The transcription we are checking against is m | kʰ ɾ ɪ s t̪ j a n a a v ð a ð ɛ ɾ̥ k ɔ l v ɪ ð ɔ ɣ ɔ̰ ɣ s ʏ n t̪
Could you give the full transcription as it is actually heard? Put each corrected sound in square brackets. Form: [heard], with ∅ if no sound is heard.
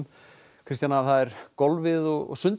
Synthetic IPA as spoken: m | kʰ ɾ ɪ s t̪ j a n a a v [θ] a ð ɛ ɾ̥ k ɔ l v ɪ ð ɔ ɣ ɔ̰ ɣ s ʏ n t̪

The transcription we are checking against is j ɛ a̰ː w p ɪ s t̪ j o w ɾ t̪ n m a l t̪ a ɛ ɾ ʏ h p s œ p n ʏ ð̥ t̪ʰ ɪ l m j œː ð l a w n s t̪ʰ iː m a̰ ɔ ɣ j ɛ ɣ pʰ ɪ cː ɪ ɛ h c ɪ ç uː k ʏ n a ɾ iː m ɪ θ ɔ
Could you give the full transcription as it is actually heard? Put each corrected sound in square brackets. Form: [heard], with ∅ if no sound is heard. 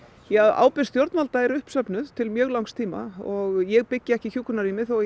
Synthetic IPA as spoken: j ɛ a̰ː w p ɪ s t̪ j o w ɾ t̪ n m a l t̪ a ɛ ɾ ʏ h p s œ p n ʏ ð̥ t̪ʰ ɪ l m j œː [ɣ] l a w [ŋ] s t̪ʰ iː m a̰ ɔ ɣ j ɛ ɣ [p] ɪ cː ɪ ɛ h c ɪ ç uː k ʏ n a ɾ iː m ɪ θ ɔ

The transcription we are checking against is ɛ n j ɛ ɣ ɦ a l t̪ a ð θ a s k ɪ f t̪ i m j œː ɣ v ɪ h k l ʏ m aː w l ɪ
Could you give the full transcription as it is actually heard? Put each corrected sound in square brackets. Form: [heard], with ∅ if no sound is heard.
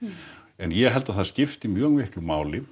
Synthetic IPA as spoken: ɛ n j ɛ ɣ ɦ [ɛ] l t̪ a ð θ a s [c] ɪ f t̪ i m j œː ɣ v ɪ h k l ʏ m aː w l ɪ

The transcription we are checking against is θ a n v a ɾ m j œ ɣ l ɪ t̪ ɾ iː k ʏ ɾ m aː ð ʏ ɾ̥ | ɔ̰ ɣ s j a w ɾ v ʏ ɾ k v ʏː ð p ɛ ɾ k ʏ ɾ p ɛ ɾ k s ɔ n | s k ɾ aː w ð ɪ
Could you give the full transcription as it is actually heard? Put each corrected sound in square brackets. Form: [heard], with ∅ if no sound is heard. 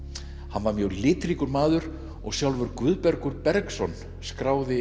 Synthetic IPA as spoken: [h] a n v a ɾ m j œ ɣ l [ɪː] t̪ ɾ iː k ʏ ɾ m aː ð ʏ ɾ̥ | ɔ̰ ɣ s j a w [l] v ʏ ɾ k v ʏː ð p ɛ ɾ k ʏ ɾ p ɛ ɾ k s ɔ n | s k ɾ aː w ð ɪ

